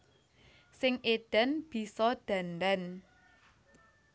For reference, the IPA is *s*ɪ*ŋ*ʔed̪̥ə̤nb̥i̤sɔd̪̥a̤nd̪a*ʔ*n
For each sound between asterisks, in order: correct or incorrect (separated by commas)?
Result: correct, correct, incorrect